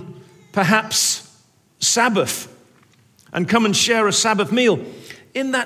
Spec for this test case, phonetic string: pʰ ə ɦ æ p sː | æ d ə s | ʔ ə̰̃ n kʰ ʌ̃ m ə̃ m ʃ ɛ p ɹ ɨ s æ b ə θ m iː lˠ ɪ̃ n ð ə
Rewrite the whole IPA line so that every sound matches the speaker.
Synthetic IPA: pʰ ə ɦ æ p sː | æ b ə θ | ʔ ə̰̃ n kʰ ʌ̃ m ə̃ n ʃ ɛ ɹ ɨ s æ b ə θ m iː lˠ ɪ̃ n ð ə